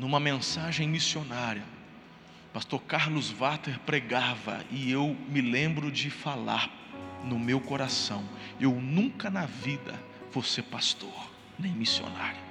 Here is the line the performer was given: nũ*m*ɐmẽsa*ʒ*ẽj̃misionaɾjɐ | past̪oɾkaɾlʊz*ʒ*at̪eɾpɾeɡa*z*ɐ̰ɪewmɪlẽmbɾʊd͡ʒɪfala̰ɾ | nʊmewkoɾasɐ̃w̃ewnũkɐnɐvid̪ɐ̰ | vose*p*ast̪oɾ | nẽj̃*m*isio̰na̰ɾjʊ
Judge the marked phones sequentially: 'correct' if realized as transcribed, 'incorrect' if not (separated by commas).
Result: correct, correct, incorrect, incorrect, correct, correct